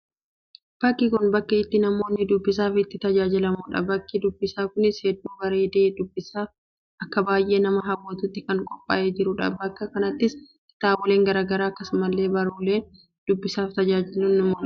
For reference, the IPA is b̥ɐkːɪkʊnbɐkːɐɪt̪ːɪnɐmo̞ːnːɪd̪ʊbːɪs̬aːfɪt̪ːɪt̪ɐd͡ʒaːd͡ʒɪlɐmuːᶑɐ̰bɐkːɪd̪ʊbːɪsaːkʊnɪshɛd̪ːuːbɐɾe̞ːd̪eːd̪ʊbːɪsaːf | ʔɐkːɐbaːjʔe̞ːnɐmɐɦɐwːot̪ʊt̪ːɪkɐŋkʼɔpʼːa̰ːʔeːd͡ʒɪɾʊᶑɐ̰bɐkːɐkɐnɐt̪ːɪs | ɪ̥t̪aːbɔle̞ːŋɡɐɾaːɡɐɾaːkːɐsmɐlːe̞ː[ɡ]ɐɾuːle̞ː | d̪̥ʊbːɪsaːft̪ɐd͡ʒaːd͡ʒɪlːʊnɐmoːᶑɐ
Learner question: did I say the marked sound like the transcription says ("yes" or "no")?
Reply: no